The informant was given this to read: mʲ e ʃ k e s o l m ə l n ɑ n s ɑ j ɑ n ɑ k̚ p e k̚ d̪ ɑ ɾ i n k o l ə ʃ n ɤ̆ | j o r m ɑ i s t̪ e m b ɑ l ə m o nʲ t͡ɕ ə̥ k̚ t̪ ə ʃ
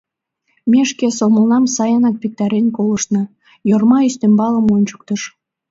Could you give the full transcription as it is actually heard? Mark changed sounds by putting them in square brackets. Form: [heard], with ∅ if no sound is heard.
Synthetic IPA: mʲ e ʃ k e s o l m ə l n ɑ [m] s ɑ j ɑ n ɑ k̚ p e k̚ [t̪] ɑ ɾ [e] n k o l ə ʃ n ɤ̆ | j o r m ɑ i s t̪ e m b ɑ l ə m o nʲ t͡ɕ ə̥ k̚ t̪ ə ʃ